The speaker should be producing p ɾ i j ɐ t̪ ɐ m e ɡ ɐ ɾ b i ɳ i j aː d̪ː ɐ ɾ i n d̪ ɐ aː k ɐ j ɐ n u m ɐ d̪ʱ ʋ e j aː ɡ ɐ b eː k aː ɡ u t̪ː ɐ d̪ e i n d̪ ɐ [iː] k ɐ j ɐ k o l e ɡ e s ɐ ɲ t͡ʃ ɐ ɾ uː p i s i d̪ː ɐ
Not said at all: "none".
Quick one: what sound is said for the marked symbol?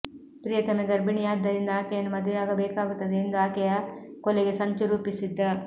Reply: aː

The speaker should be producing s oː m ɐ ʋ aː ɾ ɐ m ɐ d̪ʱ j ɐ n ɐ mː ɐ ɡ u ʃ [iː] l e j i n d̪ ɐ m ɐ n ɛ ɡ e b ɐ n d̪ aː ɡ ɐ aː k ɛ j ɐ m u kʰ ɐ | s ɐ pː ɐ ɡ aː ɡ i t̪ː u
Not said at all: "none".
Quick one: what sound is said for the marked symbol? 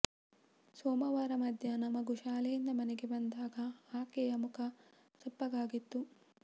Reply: aː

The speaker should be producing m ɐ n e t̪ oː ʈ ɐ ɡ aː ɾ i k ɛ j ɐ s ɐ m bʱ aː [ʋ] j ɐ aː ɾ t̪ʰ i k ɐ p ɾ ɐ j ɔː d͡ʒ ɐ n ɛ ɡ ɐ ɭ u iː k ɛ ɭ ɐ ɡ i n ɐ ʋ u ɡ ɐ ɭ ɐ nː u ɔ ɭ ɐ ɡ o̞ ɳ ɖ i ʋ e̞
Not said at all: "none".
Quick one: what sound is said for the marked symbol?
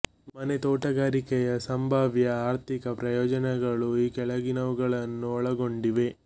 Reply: ʋ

